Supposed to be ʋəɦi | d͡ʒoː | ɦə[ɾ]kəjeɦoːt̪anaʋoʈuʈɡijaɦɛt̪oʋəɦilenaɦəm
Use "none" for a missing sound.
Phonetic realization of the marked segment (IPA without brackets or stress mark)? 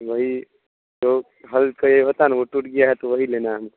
l